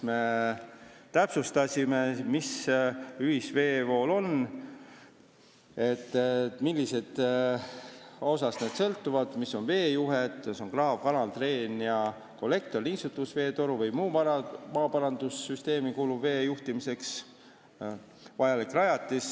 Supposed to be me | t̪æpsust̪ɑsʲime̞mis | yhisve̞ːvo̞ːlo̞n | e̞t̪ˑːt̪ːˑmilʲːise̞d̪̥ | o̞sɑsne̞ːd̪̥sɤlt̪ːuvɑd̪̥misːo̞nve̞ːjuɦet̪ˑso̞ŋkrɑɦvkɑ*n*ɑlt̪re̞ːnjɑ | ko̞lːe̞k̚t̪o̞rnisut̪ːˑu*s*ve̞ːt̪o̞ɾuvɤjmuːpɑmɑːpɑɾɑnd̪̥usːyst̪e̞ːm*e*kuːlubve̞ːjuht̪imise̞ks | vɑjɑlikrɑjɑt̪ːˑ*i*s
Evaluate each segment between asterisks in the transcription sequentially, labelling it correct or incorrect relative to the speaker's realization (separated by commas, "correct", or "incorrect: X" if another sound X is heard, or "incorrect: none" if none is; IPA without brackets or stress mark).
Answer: correct, correct, incorrect: i, correct